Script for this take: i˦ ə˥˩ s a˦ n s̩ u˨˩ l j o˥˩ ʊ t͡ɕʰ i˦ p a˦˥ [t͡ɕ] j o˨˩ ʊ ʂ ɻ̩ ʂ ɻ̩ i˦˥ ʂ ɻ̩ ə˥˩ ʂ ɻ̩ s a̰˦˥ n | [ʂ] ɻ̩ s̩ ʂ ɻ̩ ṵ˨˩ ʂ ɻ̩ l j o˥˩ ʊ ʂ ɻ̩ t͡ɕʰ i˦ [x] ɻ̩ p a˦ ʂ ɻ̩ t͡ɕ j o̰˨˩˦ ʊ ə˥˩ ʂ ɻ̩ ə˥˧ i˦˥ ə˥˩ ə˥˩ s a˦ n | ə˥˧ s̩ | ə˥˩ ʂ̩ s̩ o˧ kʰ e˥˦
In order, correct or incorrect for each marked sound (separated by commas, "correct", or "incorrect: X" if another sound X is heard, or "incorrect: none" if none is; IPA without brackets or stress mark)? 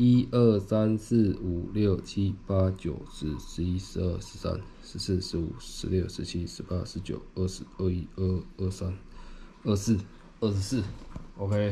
correct, correct, incorrect: ʂ